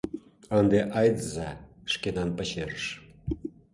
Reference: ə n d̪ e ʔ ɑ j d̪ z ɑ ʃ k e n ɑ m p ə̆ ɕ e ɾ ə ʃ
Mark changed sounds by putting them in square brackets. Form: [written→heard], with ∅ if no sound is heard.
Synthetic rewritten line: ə n d̪ e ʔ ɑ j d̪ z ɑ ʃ k e n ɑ [m→n] p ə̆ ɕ e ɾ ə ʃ